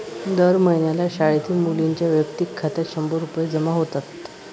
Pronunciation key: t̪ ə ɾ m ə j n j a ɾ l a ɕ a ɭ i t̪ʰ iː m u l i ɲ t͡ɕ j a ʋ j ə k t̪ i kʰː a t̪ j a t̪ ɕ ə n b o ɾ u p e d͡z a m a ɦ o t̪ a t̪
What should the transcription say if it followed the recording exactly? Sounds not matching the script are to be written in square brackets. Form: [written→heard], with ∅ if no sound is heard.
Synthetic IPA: [t̪→d̪] ə ɾ m ə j n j a [ɾ→∅] l a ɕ a ɭ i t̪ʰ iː m u l i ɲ t͡ɕ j a ʋ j ə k t̪ i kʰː a t̪ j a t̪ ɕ ə [n→m] b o ɾ u p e d͡z [a→ə] m a ɦ o t̪ a t̪